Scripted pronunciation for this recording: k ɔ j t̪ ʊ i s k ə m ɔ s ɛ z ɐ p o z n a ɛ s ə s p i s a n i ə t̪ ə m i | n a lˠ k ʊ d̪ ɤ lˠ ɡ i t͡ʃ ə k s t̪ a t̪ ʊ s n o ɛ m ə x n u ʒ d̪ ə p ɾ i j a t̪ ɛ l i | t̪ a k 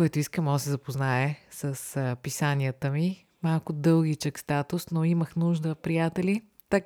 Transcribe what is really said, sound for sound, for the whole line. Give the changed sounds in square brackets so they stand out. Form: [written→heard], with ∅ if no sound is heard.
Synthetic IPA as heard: k ɔ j t̪ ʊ i s k ə m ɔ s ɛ z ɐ p o z n a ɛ s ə s p i s a n i ə t̪ ə m i | [n→m] a lˠ k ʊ d̪ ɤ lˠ ɡ i t͡ʃ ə k s t̪ a t̪ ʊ s n o [ɛ→i] m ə x n u ʒ d̪ ə p ɾ i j a t̪ ɛ l i | t̪ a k